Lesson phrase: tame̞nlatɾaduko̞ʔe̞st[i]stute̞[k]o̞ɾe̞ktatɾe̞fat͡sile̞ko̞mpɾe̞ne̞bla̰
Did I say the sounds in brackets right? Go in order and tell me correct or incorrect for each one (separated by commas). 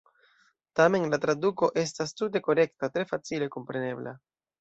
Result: incorrect, correct